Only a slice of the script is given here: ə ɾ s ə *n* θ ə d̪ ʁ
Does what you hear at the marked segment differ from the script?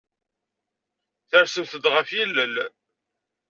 yes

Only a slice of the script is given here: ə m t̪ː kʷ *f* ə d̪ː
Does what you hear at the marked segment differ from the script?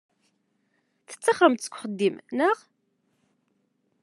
yes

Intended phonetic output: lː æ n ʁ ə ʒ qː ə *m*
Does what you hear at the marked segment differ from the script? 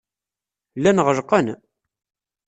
yes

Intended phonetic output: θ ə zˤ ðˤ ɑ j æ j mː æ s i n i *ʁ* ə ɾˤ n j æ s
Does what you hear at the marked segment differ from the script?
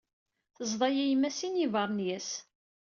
yes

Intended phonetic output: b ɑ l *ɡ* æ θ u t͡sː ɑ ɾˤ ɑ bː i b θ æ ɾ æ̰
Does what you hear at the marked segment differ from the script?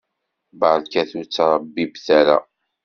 yes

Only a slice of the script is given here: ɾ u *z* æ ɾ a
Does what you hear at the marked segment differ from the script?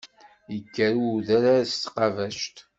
yes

